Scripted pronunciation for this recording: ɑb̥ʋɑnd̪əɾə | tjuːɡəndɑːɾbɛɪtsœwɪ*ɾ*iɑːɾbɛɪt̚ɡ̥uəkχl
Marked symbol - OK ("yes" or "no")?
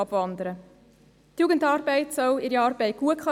yes